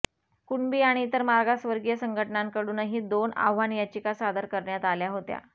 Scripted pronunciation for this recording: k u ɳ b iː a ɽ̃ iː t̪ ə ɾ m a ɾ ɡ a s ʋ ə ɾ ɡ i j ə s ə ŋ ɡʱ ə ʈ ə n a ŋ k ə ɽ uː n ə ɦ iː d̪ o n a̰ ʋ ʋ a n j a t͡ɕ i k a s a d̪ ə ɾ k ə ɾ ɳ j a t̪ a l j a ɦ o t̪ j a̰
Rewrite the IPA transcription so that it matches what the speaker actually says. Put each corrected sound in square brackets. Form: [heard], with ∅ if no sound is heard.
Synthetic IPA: k u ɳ b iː a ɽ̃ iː t̪ ə ɾ m a ɾ ɡ a s ʋ ə ɾ ɡ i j ə s ə ŋ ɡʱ ə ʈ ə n a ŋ k ə ɽ uː n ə ɦ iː d̪ o n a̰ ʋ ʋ a n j a t͡ɕ i k a s a d̪ ə ɾ k ə ɾ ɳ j a t̪ a l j a ɦ o t̪ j a̰